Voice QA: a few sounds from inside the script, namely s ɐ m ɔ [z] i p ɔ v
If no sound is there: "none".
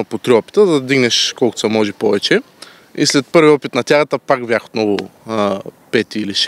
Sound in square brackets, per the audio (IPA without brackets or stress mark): ʒ